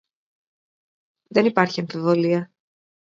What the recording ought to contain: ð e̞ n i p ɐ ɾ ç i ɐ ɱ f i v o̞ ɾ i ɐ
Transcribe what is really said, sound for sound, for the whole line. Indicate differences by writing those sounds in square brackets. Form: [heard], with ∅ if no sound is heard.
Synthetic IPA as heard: ð e̞ n i p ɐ ɾ ç i ɐ ɱ f i v o̞ [l] i ɐ